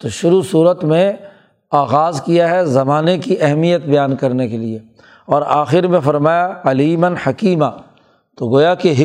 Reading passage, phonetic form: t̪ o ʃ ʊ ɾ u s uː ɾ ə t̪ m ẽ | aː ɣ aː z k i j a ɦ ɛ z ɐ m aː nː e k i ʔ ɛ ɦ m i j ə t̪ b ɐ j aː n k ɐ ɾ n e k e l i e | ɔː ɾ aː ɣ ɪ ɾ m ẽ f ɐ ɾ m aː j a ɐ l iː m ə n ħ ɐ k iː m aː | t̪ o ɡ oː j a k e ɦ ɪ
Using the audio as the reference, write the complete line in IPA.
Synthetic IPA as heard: t̪ o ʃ ʊ ɾ u s uː ɾ ə t̪ m ẽ | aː ɣ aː z k i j a ɦ ɛ z ɐ m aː n e k i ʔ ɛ ɦ m i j ə t̪ b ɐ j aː n k ɐ ɾ n e k e l i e | ɔː ɾ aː x ɪ ɾ m ẽ f ɐ ɾ m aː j a ɐ l iː m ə n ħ ɐ k iː m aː | t̪ o ɡ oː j a k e ɦ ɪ